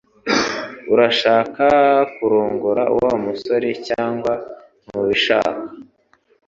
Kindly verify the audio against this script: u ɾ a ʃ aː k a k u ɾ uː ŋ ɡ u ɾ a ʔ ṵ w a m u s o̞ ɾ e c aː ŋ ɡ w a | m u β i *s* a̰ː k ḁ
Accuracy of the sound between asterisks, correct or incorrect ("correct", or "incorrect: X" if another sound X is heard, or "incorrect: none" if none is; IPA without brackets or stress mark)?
incorrect: ʃ